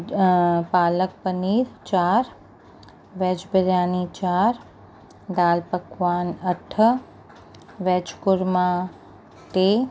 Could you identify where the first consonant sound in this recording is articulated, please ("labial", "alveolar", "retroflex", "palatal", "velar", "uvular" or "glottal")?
labial